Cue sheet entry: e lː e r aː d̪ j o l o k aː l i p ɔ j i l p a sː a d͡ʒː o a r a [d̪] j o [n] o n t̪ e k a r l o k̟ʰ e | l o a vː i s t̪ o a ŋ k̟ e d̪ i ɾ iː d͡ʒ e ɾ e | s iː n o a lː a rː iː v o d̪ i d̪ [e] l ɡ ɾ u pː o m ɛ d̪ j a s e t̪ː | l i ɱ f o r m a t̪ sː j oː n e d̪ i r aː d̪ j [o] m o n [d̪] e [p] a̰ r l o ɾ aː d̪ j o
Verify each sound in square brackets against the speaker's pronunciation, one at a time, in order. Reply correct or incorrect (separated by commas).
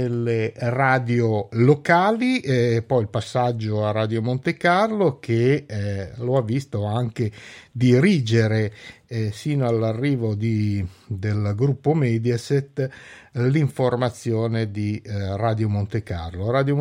correct, incorrect, correct, correct, incorrect, incorrect